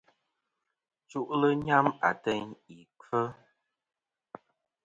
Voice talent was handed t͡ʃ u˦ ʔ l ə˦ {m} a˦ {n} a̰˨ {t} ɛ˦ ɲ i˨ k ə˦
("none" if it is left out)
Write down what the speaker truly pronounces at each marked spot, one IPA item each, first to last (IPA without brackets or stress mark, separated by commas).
ɲ, m, t